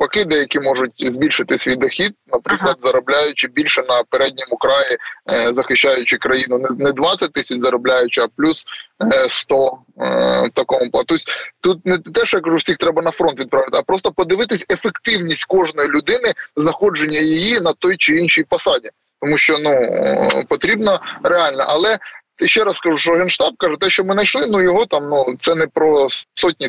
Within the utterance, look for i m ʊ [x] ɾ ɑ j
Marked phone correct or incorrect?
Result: incorrect